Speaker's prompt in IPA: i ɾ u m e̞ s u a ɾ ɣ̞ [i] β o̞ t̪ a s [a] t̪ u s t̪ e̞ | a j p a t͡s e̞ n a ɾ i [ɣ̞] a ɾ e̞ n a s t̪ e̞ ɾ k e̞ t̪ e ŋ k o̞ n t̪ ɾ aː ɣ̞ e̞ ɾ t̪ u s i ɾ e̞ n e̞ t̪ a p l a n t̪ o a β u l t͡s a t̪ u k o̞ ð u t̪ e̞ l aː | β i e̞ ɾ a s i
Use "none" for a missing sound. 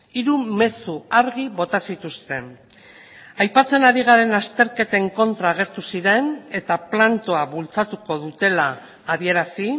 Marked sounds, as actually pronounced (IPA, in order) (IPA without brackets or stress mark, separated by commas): i, i, ɣ̞